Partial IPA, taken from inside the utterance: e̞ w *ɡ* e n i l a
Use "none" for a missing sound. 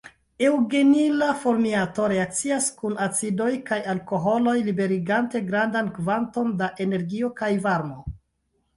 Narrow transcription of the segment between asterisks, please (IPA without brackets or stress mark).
ɡ